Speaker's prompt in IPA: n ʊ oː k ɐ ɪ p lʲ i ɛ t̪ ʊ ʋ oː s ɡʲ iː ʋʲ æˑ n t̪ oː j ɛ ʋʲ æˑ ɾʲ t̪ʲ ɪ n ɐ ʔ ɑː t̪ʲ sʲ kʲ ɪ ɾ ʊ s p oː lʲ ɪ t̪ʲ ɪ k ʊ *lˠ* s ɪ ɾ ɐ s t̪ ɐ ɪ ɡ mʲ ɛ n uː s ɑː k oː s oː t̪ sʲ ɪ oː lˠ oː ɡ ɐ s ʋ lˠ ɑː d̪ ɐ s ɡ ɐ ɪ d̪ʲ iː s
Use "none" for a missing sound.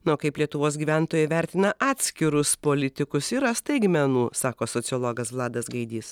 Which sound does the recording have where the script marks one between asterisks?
none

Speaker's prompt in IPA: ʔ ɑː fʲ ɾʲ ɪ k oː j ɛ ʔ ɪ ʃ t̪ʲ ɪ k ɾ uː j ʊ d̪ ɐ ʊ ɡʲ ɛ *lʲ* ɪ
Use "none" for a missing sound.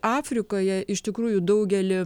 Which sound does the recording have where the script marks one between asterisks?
lʲ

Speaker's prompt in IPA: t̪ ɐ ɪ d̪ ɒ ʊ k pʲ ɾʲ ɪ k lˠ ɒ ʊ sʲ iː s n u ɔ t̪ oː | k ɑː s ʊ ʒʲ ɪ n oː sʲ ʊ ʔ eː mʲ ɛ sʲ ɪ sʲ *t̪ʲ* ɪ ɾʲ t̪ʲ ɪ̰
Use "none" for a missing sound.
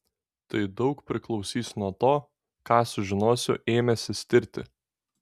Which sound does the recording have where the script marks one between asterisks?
t̪ʲ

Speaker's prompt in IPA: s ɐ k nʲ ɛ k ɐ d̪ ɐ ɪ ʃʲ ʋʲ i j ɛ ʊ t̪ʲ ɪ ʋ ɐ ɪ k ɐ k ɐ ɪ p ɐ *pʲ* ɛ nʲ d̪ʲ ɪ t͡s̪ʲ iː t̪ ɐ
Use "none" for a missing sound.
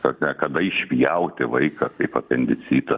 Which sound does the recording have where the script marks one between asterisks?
pʲ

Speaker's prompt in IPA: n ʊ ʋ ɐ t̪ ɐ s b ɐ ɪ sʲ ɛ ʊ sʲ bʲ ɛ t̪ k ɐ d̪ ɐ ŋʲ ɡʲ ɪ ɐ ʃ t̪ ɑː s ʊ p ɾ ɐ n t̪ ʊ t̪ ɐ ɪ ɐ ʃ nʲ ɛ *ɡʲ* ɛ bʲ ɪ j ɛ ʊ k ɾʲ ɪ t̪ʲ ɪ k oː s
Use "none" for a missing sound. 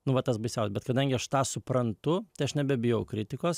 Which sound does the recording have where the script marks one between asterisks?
bʲ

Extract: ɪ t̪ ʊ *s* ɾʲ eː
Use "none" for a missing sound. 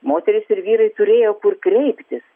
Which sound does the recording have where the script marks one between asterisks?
none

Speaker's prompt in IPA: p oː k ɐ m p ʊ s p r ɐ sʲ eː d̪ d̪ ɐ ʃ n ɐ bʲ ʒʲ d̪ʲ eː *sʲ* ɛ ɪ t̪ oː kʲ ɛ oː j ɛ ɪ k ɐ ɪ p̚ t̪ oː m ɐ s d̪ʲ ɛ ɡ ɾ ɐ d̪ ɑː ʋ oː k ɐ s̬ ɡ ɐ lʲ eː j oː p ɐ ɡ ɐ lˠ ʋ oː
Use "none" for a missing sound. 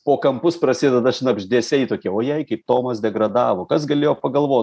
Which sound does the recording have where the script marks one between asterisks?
sʲ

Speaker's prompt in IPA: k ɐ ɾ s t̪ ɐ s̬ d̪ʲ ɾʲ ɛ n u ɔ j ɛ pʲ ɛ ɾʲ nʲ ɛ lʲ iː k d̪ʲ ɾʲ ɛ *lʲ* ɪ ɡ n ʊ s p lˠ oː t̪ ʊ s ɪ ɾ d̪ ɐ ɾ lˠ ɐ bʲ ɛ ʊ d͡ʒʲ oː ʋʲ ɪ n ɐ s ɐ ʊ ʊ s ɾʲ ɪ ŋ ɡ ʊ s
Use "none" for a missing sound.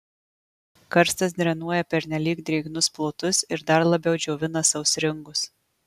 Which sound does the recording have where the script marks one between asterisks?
none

